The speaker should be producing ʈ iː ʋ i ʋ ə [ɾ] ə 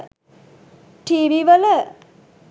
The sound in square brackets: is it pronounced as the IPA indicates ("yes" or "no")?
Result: no